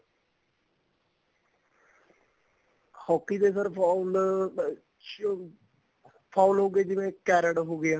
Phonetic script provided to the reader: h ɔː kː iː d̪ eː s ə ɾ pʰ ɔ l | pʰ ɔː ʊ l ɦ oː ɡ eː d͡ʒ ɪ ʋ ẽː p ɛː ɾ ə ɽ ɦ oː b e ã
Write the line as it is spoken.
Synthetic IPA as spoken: h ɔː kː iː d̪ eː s ə ɾ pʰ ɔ l | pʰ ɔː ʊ l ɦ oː ɡ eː d͡ʒ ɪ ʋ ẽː k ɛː ɾ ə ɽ ɦ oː ɡ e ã